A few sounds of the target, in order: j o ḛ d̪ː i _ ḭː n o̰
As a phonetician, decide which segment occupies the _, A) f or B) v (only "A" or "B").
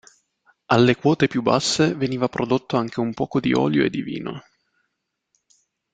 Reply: B